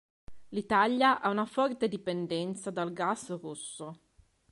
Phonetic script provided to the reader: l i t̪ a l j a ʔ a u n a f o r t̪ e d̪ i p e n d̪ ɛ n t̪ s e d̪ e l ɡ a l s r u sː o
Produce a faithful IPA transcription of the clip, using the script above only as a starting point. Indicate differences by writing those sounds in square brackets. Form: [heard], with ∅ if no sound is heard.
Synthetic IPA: l i t̪ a l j a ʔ a u n a f [ɔ] r t̪ e d̪ i p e n d̪ ɛ n t̪ s [a] d̪ [a] l ɡ a [∅] s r u sː o